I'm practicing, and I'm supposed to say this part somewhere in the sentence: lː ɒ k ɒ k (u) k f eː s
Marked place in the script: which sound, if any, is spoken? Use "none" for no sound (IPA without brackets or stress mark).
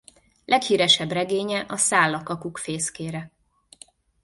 u